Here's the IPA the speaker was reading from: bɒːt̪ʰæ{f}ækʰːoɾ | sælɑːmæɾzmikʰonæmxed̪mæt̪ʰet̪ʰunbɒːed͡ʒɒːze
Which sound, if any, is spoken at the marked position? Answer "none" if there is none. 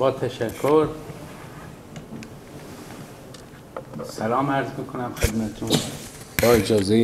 ʃ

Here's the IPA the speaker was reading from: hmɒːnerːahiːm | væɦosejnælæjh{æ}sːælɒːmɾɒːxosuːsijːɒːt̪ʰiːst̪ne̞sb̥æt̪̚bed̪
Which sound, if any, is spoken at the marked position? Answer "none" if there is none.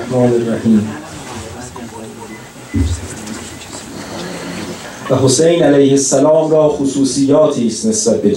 e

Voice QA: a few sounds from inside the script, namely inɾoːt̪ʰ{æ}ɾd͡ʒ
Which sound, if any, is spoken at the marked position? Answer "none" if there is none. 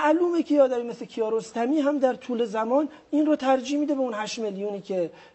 æ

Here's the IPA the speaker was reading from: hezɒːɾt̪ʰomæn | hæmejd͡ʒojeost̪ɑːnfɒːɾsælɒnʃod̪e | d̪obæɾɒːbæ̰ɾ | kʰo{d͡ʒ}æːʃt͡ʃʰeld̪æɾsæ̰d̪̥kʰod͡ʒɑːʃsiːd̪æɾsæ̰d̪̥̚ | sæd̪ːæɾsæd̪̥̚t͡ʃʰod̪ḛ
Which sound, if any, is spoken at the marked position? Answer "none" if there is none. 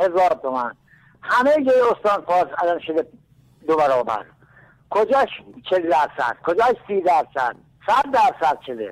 d͡ʒ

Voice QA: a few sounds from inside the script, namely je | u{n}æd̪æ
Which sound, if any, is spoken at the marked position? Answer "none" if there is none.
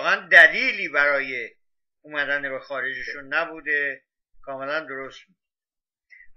m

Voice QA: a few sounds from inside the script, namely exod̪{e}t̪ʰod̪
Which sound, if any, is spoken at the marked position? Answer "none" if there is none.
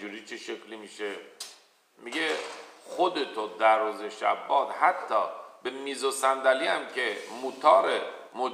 e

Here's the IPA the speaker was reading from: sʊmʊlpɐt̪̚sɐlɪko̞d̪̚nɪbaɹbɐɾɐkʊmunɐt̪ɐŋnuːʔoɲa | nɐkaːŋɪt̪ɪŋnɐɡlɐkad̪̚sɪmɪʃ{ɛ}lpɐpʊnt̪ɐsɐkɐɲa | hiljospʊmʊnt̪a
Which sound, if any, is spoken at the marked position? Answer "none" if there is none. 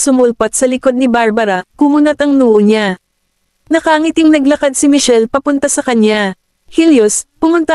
ɛ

